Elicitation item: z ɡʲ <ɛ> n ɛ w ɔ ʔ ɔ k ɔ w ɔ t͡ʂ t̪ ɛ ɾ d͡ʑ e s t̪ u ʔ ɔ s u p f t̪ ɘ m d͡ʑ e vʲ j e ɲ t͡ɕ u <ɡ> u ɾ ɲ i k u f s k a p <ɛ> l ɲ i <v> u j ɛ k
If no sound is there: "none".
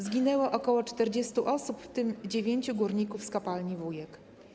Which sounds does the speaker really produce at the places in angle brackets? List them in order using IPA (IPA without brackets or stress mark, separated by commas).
i, ɡ, a, v